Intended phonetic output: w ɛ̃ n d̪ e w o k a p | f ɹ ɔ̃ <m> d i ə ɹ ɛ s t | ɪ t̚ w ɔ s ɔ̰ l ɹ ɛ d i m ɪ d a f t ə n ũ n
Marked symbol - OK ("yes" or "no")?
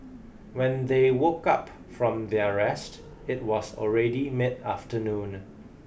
yes